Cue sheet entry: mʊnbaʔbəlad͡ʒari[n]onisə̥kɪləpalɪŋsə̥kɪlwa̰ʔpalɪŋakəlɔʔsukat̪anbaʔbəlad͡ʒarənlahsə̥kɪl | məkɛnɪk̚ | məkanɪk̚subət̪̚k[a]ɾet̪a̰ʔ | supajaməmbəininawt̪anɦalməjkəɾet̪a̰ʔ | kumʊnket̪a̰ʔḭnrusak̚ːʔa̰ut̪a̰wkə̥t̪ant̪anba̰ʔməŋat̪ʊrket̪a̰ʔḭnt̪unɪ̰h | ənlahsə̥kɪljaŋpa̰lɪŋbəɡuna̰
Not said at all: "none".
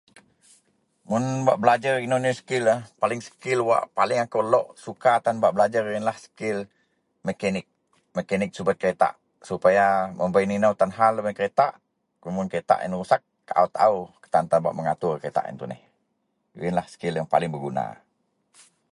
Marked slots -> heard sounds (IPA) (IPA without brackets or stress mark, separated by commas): n, ə